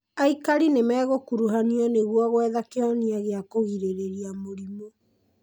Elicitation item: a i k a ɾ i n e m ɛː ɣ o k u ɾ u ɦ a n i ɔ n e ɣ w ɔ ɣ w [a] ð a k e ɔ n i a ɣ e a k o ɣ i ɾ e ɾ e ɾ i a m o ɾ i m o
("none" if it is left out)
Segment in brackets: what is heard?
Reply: ɛ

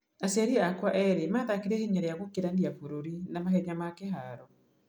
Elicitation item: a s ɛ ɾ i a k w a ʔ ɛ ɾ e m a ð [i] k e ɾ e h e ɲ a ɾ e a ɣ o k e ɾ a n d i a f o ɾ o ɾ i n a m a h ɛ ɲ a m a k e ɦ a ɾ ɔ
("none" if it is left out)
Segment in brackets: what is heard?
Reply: a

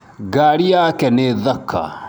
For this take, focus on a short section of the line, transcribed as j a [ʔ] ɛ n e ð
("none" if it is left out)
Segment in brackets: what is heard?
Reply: k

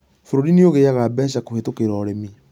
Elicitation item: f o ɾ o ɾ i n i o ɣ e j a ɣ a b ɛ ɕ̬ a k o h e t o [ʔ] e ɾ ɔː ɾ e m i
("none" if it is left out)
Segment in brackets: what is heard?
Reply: k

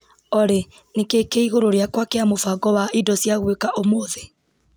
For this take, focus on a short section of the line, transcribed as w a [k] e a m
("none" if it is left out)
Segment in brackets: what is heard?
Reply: k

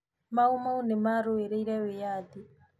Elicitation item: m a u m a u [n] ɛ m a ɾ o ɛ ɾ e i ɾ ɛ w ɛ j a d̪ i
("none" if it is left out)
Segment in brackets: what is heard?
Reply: n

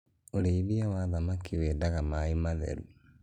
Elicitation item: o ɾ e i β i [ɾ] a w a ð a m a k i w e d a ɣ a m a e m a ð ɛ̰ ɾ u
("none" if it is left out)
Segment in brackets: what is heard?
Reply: none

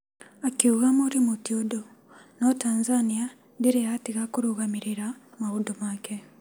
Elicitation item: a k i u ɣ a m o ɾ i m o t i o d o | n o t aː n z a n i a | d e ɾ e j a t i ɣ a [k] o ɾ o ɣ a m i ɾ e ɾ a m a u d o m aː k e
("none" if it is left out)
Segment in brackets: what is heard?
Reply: k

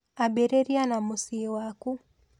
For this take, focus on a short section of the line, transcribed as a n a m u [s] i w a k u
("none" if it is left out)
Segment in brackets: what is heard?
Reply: s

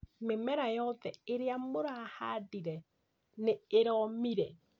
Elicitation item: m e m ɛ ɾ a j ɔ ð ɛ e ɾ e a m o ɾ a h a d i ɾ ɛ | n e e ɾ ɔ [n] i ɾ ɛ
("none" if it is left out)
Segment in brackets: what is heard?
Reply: m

